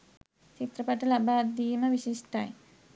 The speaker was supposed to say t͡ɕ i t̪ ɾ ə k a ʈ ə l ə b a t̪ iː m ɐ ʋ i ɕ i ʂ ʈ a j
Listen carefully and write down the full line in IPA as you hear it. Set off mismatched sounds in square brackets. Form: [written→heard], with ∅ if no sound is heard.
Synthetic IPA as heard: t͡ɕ i t̪ ɾ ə [k→p] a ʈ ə l [ə→a] b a [t̪→d̪] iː m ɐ ʋ i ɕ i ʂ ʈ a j